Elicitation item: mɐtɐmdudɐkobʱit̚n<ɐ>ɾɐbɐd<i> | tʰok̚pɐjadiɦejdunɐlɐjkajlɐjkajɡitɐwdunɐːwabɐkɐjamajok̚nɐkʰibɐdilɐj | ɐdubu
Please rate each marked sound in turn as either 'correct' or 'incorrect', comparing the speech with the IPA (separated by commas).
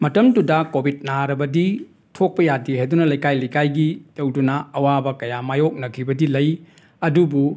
incorrect, correct